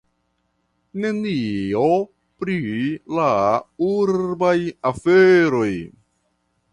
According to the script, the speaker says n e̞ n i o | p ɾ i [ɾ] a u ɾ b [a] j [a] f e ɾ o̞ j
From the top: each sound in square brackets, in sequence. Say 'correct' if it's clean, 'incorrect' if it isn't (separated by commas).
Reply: incorrect, correct, correct